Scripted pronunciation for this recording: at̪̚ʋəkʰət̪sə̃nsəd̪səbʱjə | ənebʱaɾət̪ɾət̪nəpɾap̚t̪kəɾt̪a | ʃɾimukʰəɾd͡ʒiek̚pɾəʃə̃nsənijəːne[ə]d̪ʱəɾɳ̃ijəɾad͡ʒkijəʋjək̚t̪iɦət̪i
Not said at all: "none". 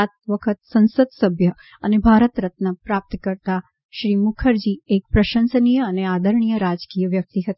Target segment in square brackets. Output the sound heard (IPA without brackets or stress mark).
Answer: a